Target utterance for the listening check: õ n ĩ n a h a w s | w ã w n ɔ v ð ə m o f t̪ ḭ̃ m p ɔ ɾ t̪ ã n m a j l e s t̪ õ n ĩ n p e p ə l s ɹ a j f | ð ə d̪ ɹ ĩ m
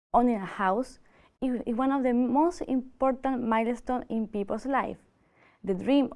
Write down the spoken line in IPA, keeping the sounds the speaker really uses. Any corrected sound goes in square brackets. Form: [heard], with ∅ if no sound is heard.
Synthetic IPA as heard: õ n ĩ n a h a w s | w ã [∅] n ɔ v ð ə m o [s] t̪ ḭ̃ m p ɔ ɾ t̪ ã n m a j l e s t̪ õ n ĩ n p [i] p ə l s [l] a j f | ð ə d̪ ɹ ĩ m